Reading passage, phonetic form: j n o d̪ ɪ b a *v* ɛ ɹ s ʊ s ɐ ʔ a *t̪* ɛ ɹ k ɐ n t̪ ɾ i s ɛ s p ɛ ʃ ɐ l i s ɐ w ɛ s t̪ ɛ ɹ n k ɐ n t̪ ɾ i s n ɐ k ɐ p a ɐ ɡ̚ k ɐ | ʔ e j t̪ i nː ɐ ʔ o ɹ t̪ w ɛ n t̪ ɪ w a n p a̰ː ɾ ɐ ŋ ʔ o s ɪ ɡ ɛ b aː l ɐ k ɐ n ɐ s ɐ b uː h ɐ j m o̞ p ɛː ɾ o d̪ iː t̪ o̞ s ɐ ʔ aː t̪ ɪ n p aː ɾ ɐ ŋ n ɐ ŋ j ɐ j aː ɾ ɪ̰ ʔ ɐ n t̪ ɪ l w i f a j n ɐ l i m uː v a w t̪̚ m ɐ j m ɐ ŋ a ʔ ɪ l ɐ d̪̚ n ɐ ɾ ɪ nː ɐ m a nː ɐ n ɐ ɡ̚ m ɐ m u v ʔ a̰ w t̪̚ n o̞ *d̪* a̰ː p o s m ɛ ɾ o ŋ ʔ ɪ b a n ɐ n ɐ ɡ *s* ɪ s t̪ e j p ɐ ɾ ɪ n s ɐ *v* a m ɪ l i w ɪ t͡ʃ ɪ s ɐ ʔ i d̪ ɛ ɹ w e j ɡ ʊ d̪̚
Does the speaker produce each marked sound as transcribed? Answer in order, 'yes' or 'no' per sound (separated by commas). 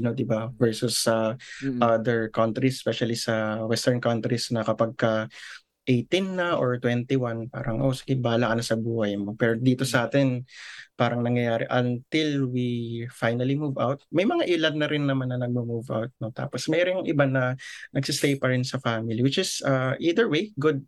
yes, no, no, yes, no